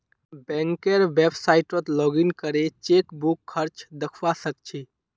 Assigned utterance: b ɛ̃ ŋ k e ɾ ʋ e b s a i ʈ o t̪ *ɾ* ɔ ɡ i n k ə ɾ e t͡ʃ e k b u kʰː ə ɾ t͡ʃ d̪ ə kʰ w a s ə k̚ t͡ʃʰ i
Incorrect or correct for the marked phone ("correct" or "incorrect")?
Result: incorrect